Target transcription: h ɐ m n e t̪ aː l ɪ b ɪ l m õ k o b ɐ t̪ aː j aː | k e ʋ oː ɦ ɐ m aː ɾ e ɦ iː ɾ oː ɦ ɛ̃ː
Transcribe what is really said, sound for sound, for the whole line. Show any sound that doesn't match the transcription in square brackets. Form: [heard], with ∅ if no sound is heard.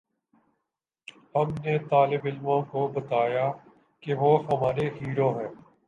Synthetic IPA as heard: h ɐ m n e t̪ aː l ɪ b ɪ l m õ k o b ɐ t̪ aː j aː | k e ʋ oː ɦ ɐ m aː ɾ e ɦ iː ɾ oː ɦ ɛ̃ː